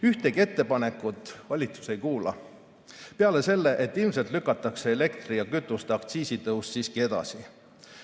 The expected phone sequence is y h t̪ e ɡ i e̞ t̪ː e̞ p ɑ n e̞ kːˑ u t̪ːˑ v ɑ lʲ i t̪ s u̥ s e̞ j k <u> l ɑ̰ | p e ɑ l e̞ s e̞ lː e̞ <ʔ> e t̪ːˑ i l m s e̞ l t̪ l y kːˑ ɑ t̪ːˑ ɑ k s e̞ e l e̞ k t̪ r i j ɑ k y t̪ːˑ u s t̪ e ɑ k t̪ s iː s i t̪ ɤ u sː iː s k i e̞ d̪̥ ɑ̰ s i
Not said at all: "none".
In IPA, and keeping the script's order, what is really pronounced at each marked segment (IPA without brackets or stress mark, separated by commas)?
uː, ʔ